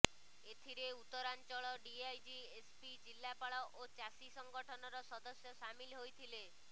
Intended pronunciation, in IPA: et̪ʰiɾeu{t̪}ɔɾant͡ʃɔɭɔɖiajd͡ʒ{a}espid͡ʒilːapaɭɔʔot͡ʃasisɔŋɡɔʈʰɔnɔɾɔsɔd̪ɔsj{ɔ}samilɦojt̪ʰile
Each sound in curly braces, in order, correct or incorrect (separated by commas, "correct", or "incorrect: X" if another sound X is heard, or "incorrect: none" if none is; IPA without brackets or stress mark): correct, incorrect: i, correct